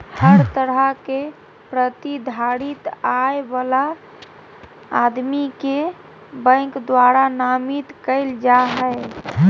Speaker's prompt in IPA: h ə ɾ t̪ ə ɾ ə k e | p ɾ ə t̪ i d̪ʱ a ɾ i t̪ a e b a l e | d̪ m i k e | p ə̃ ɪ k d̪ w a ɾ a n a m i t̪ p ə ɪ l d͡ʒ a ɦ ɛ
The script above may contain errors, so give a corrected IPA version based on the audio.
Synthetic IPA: h ə ɾ t̪ ə ɾ ə k e | p ɾ ə t̪ i d̪ʱ a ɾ i t̪ a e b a l a | d̪ m i k e | b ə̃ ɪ k d̪ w a ɾ a n a m i t̪ k ə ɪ l d͡ʒ a ɦ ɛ